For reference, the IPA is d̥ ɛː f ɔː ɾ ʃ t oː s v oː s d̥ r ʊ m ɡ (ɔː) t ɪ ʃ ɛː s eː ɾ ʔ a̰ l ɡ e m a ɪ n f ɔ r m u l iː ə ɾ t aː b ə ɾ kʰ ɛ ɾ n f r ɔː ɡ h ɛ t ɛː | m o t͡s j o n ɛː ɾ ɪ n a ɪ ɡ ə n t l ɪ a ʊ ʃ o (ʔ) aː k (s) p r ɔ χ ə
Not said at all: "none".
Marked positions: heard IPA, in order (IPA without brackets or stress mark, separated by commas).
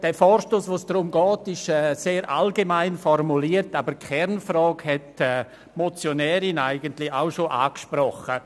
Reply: ɔː, ʔ, ʃ